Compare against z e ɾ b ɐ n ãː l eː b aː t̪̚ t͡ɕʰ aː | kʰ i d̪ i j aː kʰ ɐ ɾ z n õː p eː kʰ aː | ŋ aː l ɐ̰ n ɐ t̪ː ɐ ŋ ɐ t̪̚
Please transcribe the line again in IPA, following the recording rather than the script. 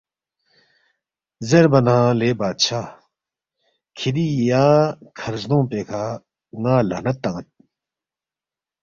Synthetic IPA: z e ɾ b ɐ n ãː l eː b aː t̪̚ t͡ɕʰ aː | kʰ i d̪ i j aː kʰ ɐ ɾ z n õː p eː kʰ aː | ŋ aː l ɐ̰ n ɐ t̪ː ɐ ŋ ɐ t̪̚